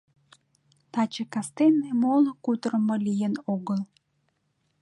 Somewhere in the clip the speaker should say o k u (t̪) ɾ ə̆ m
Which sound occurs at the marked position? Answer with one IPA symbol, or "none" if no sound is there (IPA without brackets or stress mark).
t̪